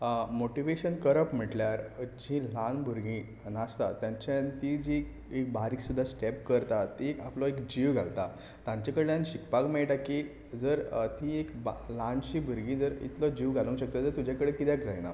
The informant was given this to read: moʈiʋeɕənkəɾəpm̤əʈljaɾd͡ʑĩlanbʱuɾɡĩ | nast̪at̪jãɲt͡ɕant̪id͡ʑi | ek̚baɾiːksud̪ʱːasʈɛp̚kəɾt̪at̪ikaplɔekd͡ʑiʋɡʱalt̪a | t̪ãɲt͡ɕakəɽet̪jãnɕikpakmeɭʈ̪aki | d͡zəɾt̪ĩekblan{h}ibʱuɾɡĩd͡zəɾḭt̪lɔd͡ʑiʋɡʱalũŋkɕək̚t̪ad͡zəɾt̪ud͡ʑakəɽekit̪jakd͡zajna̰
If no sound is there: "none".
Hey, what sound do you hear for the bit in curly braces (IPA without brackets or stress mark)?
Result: ɕ